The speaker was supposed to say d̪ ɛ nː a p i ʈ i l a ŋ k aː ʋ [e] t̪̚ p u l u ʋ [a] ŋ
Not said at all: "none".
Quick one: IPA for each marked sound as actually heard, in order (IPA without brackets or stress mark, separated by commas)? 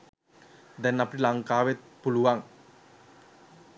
e, a